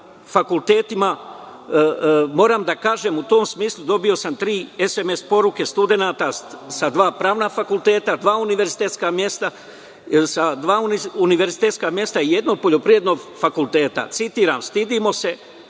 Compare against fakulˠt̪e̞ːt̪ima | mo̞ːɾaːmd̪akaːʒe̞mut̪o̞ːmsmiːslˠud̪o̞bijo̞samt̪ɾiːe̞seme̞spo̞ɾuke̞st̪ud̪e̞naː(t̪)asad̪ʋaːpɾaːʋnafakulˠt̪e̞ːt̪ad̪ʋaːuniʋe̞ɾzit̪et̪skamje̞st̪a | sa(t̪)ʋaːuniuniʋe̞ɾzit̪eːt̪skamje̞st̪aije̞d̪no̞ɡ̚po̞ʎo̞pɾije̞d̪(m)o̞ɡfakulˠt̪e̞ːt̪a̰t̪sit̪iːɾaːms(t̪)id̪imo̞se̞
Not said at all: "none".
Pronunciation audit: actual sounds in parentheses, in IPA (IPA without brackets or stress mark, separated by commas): t̪, d̪, n, t̪